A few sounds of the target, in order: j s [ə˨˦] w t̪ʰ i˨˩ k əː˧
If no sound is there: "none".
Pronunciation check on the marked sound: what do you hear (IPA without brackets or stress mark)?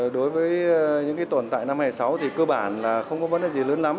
a˨˦